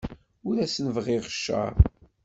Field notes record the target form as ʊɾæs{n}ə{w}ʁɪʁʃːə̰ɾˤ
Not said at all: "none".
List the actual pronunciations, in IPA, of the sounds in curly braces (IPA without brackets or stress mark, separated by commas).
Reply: n, v